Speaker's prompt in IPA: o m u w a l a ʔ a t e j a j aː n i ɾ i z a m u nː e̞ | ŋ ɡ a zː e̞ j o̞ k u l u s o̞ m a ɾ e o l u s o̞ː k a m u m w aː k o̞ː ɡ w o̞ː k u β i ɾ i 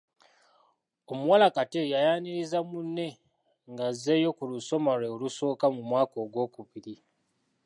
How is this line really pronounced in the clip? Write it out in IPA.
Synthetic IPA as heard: o m u w a l a k a t e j a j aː n i ɾ i z a m u nː e̞ | ŋ ɡ a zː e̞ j o̞ k u l u s o̞ m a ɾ e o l u s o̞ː k a m u m w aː k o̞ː ɡ w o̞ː k u β i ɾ i